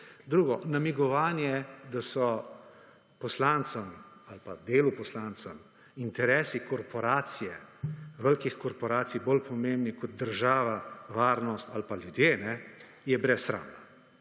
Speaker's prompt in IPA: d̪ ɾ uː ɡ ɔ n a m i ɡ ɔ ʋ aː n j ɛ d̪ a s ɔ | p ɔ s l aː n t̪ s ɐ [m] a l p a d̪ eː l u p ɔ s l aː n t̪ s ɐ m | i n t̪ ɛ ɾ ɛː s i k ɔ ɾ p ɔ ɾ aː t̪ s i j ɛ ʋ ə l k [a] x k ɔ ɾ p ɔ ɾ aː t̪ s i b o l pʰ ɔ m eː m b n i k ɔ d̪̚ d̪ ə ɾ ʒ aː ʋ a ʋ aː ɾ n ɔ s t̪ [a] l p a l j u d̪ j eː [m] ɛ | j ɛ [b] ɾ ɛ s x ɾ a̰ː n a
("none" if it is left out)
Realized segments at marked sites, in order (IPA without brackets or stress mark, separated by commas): m, i, a, n, b